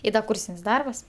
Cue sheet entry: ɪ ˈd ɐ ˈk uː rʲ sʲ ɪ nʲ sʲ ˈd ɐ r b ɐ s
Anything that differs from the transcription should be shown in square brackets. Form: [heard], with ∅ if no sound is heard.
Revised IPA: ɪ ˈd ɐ ˈk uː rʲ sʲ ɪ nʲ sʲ ˈd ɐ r b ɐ s

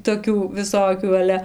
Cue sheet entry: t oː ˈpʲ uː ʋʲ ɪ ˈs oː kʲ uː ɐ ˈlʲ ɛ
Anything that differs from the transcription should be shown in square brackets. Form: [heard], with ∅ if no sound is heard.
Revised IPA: t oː [ˈkʲ] uː ʋʲ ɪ ˈs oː kʲ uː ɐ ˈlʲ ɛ

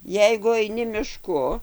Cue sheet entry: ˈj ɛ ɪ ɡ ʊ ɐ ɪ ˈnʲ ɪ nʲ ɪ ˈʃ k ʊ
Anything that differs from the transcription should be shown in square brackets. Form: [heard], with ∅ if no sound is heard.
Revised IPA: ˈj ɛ ɪ ɡ ʊ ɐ ɪ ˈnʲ ɪ [mʲ] ɪ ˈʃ k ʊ

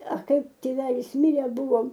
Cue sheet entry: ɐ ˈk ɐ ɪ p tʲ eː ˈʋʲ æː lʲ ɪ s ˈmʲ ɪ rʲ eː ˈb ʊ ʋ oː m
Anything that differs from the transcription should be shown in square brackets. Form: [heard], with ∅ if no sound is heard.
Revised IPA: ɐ ˈk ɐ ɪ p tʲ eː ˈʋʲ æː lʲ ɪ s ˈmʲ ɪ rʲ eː ˈb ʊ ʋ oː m

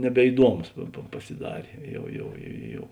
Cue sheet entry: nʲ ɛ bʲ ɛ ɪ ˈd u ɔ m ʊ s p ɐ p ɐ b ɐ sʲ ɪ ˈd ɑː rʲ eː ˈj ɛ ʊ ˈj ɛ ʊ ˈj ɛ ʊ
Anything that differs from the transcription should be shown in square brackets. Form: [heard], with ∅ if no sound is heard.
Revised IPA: nʲ ɛ bʲ ɛ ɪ ˈd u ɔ m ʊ s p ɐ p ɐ [p] ɐ sʲ ɪ ˈd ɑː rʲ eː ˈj ɛ ʊ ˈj ɛ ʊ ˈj ɛ ʊ

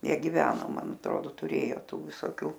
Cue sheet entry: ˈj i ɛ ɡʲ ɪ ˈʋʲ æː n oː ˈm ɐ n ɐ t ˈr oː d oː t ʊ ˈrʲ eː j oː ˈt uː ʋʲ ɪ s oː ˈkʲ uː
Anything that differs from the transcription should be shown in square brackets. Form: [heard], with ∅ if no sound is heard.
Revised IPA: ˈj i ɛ ɡʲ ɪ ˈʋʲ æː n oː ˈm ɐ n ɐ t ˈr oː d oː t ʊ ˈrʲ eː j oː ˈt uː ʋʲ ɪ s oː ˈkʲ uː

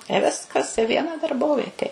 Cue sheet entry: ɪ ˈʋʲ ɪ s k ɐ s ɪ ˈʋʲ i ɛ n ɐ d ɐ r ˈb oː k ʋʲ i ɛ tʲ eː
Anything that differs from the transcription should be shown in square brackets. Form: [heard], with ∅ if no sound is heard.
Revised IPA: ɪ ˈʋʲ ɪ s k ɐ s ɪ ˈʋʲ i ɛ n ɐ d ɐ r ˈb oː [∅] ʋʲ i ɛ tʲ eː

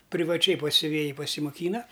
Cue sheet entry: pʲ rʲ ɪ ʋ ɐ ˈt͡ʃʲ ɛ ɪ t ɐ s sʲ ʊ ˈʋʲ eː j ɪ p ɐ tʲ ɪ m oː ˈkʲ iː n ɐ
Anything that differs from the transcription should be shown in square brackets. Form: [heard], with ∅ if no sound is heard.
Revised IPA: pʲ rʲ ɪ ʋ ɐ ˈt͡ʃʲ ɛ ɪ [p] ɐ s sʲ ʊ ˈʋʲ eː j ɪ p ɐ [sʲ] ɪ m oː ˈkʲ iː n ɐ

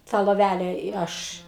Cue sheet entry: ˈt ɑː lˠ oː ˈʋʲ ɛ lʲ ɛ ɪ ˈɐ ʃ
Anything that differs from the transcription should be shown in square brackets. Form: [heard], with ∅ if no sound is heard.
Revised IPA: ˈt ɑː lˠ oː ˈʋʲ [æ] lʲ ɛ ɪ ˈɐ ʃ

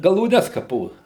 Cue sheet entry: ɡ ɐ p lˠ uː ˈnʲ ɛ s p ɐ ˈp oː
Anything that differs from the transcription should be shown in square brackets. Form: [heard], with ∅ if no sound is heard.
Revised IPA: ɡ ɐ [∅] lˠ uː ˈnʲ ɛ s [k] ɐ ˈp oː

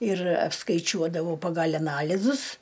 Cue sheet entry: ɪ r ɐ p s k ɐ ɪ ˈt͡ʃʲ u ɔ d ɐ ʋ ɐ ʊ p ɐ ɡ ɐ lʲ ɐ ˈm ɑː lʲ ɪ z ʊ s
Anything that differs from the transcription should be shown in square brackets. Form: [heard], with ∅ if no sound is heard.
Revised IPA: ɪ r ɐ p s k ɐ ɪ ˈt͡ʃʲ u ɔ d ɐ ʋ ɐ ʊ p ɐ ɡ ɐ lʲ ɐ [ˈn] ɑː lʲ ɪ z ʊ s

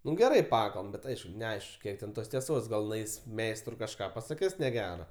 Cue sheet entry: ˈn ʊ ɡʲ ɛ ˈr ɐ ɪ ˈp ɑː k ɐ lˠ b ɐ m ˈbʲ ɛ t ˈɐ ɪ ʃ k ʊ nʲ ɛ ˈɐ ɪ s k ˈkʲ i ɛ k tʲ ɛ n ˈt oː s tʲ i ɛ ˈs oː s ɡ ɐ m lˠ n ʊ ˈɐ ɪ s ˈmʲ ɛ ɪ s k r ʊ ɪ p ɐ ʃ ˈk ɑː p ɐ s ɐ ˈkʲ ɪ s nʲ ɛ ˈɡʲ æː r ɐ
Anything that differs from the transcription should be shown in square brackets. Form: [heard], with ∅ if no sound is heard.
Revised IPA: ˈn ʊ ɡʲ ɛ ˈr ɐ ɪ ˈp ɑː k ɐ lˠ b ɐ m ˈbʲ ɛ t ˈɐ ɪ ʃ k ʊ nʲ ɛ ˈɐ ɪ [ʃ] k ˈkʲ i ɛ k tʲ ɛ n ˈt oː s tʲ i ɛ ˈs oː s ɡ ɐ [∅] lˠ n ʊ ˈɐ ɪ s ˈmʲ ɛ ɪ s [t] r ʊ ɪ [k] ɐ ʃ ˈk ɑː p ɐ s ɐ ˈkʲ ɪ s nʲ ɛ ˈɡʲ æː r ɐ

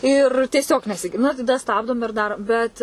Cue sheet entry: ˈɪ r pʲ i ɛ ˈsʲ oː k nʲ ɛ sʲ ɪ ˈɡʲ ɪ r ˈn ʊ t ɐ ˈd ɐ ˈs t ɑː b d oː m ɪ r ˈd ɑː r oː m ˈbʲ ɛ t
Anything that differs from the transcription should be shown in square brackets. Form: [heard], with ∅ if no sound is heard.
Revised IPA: ˈɪ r [tʲ] i ɛ ˈsʲ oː k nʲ ɛ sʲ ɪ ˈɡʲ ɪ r ˈn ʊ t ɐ ˈd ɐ ˈs t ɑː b d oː m ɪ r ˈd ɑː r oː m ˈbʲ ɛ t

